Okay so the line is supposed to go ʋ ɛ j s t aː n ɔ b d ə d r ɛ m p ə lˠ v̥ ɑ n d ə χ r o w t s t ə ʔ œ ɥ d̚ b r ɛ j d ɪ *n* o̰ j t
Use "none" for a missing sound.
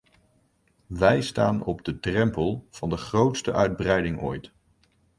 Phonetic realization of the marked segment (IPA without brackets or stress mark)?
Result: ŋ